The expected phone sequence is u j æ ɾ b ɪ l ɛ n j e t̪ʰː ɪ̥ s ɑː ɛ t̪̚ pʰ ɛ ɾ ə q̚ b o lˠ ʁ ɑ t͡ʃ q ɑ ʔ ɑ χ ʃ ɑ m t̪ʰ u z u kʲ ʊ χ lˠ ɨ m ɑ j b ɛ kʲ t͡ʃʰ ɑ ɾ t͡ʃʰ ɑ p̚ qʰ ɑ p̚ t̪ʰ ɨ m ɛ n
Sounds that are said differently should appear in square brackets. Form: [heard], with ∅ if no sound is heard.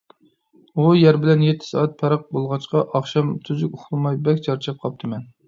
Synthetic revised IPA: u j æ ɾ b ɪ l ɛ n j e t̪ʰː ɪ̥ s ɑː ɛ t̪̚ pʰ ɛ ɾ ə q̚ b o lˠ ʁ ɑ t͡ʃ q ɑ ʔ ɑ χ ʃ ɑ m t̪ʰ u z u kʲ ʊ χ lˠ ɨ m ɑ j b ɛ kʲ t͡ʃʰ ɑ ɾ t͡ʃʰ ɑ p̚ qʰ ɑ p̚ t̪ʰ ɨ m ɛ n